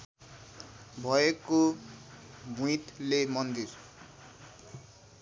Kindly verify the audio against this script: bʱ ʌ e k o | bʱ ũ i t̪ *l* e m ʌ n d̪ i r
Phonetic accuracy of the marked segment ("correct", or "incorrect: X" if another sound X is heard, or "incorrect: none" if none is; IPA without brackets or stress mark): correct